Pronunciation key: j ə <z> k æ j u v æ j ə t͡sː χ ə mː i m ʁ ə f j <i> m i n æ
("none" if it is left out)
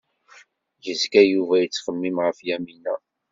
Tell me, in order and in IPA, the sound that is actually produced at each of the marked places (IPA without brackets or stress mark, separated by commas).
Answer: z, æ